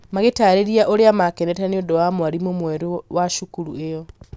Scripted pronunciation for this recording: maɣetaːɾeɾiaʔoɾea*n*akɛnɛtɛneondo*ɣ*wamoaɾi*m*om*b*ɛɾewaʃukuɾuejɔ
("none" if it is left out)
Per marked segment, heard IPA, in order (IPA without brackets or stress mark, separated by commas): m, none, m, w